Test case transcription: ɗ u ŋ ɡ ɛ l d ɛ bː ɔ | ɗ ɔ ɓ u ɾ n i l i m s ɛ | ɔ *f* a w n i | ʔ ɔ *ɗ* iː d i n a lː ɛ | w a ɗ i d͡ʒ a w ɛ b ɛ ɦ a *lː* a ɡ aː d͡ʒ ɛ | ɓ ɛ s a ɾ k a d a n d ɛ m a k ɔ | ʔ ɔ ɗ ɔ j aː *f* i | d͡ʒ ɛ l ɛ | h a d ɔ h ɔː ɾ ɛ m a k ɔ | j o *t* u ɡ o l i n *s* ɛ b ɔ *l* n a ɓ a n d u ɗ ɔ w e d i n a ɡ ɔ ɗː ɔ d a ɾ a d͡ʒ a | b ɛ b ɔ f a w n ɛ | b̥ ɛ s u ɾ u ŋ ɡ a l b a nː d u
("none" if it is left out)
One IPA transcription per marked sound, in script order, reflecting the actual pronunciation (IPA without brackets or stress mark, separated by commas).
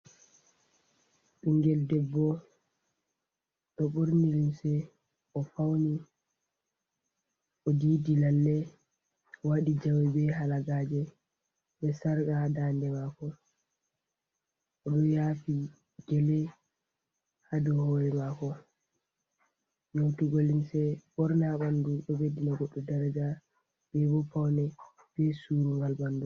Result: f, d, l, f, t, s, ɾ